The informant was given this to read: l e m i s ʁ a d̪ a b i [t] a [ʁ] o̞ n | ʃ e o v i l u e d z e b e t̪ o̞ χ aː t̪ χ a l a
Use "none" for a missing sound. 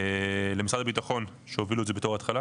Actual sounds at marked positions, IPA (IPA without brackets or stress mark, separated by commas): t, χ